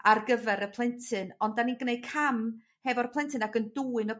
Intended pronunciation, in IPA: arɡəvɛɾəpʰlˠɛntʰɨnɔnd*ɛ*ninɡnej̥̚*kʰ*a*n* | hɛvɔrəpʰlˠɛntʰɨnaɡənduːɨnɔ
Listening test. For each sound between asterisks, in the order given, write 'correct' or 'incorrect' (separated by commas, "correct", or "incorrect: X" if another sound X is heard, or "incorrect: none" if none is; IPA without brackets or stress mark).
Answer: incorrect: a, correct, incorrect: m